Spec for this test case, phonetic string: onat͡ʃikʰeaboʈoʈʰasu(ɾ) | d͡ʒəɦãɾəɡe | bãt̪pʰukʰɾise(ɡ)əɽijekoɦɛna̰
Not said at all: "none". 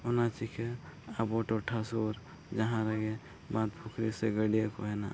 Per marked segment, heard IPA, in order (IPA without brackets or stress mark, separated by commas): ɾ, ɡ